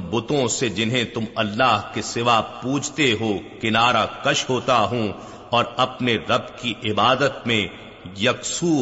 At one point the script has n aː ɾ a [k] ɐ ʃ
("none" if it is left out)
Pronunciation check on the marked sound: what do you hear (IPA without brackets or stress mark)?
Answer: k